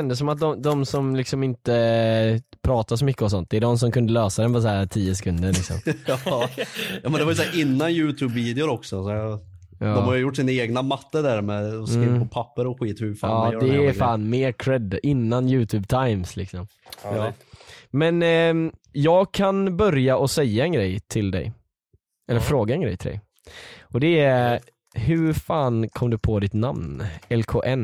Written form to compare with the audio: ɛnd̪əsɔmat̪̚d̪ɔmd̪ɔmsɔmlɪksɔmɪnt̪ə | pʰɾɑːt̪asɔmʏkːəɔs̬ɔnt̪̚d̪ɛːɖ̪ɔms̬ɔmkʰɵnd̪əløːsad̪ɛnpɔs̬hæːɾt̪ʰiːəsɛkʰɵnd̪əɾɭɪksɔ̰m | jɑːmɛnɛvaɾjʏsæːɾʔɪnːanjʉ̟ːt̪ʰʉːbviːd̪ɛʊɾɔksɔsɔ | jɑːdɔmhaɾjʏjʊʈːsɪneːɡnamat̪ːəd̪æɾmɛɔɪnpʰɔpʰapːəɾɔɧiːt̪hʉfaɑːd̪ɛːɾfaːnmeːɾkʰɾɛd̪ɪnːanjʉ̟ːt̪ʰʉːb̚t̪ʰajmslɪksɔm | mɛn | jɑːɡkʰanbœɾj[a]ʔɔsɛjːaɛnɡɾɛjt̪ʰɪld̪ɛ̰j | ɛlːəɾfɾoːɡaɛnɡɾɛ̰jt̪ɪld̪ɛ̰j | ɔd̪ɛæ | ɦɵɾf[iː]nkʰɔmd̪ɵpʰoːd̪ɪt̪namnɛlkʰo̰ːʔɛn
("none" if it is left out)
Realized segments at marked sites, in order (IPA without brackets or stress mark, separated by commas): a, aː